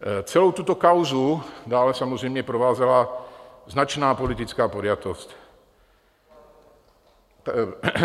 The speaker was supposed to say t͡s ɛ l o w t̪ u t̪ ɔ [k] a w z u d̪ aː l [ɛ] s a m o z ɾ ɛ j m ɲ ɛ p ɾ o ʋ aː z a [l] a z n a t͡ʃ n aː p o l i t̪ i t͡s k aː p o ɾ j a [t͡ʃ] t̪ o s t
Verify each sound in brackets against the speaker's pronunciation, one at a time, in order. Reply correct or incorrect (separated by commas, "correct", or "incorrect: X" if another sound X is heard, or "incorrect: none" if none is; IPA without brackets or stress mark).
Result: correct, correct, correct, incorrect: none